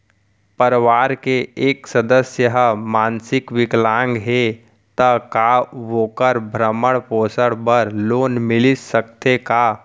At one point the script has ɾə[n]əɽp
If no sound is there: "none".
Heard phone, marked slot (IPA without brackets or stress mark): m